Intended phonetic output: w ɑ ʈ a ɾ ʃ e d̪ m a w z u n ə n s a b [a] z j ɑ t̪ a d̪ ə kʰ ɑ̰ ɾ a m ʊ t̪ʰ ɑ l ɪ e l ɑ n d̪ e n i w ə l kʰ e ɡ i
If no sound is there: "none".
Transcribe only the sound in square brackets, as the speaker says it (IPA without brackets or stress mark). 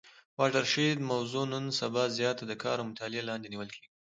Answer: ɑ